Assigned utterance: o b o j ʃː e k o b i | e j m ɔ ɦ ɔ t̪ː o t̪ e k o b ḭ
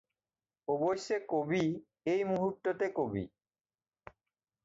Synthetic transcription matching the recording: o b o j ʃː e k o b i | e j m u ɦ u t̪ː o t̪ e k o b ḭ